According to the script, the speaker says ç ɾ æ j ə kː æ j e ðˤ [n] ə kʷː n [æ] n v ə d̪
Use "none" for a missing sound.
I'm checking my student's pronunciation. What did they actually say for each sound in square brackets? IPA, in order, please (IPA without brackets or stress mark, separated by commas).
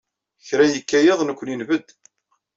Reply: n, i